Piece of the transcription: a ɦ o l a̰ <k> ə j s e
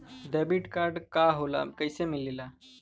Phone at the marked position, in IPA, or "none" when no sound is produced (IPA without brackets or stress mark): k